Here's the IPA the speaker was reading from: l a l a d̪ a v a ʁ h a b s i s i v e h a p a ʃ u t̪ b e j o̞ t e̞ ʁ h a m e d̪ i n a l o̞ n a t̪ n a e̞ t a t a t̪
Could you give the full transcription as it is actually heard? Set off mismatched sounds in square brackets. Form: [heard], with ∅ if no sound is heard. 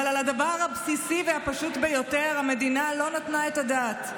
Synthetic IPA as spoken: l a l a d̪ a v a ʁ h a b s i s i v e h a p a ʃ u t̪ b e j o̞ t e̞ ʁ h a m e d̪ i n a l o̞ n a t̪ n a e̞ t a [d] a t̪